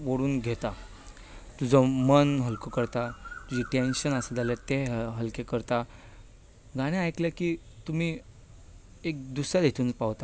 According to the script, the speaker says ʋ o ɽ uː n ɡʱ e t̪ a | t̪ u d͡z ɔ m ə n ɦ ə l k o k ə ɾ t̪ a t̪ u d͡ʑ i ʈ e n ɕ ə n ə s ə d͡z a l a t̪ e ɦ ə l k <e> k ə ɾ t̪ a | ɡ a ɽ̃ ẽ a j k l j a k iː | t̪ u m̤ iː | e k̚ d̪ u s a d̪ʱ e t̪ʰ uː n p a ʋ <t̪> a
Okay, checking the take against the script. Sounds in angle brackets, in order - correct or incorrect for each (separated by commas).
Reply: correct, correct